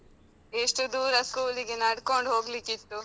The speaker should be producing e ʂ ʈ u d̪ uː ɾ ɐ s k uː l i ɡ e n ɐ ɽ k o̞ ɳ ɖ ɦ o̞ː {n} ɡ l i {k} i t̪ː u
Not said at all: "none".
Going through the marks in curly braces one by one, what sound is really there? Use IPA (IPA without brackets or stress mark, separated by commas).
none, k